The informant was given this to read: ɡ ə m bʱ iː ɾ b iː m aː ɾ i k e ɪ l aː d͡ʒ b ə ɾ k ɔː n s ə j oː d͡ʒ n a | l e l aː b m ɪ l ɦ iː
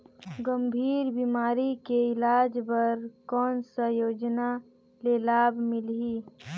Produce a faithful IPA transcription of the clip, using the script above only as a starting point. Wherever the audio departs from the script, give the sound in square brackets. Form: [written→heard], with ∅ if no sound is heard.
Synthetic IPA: ɡ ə m bʱ iː ɾ b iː m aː ɾ i k e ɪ l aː d͡ʒ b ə ɾ k ɔː n s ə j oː d͡ʒ n a | l e l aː b m ɪ l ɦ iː